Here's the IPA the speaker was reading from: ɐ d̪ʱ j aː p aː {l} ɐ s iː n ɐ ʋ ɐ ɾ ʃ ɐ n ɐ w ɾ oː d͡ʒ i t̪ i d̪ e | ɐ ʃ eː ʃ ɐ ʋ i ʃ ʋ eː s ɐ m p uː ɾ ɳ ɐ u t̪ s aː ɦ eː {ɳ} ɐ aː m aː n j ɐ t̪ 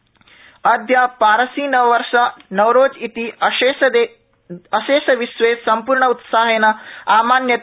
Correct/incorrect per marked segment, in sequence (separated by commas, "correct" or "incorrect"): incorrect, incorrect